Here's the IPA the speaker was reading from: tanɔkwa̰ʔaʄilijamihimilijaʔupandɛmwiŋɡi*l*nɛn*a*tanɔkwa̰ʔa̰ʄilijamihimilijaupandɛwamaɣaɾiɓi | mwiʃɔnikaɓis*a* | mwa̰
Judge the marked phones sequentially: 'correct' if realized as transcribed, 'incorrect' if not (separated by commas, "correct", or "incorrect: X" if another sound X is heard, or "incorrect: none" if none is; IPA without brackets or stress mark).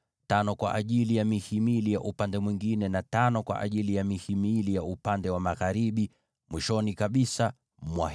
incorrect: none, correct, correct